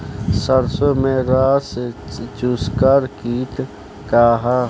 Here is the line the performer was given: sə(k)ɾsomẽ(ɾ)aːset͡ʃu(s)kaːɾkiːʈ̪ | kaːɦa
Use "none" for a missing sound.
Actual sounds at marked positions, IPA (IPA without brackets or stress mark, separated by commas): none, ɾ, s